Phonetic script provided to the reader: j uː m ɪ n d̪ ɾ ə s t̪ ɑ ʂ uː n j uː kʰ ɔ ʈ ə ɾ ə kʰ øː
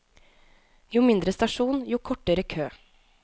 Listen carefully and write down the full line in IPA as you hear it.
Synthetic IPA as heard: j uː m ɪ n d̪ ɾ ə s t̪ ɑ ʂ uː n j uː kʰ ɔ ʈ ə ɾ ə kʰ øː